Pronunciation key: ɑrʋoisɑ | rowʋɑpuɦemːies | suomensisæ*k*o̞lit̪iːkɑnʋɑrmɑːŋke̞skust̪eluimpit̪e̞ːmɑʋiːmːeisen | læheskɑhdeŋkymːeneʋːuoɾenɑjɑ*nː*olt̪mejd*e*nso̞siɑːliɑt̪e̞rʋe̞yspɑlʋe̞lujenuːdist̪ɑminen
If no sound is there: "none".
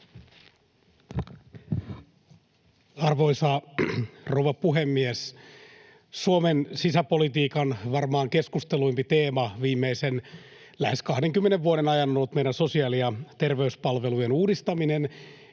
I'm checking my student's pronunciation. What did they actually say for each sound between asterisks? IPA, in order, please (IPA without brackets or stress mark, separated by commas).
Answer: p, nː, æ